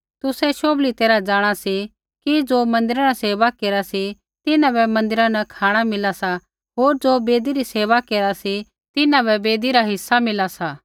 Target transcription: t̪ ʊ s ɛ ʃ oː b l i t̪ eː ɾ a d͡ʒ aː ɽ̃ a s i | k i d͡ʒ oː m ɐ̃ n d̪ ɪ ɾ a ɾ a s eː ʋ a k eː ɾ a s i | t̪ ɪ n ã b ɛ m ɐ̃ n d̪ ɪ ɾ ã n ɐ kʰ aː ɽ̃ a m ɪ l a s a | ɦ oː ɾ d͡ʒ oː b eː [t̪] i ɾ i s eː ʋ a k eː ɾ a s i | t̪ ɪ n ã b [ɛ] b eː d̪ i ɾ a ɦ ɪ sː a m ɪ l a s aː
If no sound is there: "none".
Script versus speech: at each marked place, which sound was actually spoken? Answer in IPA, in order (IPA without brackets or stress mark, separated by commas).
d̪, ɛ